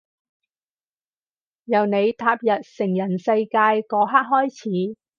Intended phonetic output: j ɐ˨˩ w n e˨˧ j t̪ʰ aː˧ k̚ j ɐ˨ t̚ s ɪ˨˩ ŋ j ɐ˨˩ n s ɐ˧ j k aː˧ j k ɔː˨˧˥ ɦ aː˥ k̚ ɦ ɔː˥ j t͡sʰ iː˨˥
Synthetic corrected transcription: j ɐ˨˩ w n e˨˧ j t̪ʰ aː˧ p̚ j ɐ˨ t̚ s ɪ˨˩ ŋ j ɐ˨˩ n s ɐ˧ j k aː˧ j k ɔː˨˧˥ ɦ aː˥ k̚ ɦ ɔː˥ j t͡sʰ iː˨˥